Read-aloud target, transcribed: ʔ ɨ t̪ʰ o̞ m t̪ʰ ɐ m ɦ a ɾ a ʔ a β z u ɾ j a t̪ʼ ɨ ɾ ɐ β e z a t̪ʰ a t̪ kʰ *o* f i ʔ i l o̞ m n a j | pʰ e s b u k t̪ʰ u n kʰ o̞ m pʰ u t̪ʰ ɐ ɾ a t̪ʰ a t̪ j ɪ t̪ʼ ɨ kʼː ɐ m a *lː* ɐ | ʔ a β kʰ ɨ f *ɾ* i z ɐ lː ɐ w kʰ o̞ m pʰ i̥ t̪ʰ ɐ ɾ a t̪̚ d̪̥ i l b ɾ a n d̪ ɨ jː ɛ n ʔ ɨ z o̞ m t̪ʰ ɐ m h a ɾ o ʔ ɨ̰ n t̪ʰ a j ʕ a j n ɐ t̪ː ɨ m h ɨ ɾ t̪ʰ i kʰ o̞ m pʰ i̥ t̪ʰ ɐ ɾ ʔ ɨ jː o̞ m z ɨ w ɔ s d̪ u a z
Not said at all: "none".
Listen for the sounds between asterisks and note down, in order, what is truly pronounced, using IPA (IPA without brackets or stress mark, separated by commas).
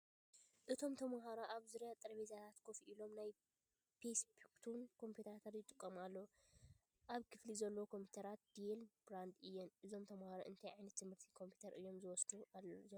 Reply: o, lː, l